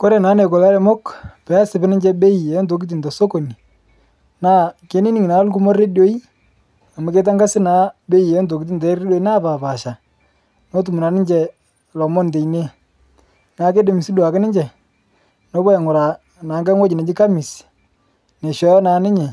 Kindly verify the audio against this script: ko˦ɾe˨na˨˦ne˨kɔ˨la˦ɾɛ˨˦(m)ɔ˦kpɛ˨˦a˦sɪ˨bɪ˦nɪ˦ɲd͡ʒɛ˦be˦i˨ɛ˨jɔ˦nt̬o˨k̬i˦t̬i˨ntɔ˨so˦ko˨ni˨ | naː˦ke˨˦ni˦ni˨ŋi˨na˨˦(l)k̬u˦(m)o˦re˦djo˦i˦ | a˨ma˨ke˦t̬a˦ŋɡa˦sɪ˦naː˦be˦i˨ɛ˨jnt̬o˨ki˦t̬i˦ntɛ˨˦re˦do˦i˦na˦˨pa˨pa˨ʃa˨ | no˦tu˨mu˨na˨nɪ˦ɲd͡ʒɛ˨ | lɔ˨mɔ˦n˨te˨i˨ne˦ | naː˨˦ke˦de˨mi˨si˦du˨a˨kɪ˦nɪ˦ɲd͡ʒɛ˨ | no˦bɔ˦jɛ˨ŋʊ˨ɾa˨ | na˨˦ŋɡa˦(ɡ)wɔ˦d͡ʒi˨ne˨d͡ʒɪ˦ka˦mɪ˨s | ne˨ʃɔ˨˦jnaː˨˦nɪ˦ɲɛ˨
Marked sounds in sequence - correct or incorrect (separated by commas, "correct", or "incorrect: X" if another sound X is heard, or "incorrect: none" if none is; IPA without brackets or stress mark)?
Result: correct, correct, correct, incorrect: ŋ